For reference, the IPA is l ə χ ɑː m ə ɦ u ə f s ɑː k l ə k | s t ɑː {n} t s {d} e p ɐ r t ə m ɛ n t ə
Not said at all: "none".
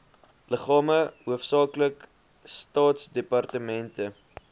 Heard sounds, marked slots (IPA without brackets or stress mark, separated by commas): none, d